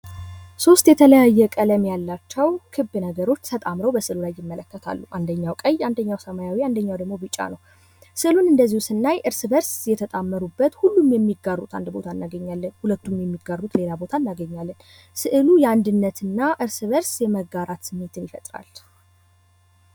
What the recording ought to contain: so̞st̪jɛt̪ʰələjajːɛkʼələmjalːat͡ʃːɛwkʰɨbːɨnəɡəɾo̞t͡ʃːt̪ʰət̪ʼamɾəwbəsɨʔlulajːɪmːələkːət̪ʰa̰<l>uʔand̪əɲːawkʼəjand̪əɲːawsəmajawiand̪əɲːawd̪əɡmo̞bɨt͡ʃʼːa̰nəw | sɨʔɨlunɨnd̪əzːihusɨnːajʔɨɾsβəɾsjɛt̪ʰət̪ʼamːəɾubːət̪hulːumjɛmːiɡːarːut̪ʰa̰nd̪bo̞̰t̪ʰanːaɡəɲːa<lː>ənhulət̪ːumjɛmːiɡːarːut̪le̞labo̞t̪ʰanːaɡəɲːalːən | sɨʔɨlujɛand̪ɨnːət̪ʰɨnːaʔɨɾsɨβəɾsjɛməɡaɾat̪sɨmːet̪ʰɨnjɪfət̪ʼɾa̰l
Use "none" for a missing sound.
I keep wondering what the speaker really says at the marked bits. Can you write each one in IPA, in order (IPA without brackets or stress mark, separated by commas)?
lː, lː